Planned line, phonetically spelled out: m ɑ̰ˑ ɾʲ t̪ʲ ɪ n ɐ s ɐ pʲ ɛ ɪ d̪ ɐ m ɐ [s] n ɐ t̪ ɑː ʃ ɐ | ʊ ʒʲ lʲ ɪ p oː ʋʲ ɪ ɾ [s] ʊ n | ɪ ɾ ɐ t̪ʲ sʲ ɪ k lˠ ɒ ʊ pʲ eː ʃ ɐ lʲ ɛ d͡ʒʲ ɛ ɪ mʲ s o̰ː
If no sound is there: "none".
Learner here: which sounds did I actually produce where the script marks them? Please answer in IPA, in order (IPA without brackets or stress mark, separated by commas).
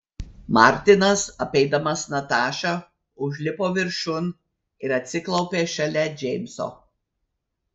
s, ʃ